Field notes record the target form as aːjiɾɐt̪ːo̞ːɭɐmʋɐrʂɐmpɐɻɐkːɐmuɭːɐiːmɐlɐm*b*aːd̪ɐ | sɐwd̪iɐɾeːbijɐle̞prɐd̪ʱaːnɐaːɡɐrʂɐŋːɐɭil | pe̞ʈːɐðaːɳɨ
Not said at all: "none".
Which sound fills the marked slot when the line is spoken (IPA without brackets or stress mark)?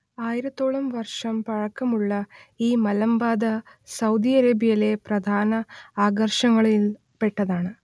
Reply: b